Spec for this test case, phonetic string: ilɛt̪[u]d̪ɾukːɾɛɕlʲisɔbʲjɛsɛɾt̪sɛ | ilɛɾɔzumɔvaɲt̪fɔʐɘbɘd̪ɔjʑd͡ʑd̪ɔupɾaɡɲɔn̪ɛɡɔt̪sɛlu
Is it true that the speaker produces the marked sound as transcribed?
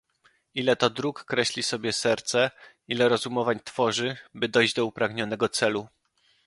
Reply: no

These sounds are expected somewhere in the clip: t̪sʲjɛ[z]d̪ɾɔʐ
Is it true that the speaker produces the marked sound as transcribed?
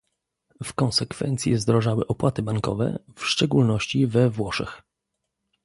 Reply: yes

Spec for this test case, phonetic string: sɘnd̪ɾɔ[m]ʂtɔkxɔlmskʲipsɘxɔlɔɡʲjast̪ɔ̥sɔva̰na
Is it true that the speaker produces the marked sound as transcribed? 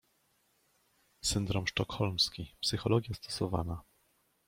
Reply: yes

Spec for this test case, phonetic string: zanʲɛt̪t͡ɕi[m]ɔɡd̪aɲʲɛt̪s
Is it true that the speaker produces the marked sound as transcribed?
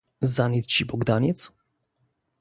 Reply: no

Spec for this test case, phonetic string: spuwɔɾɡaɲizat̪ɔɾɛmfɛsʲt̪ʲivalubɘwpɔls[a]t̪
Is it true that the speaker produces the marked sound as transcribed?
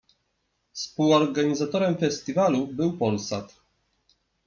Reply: yes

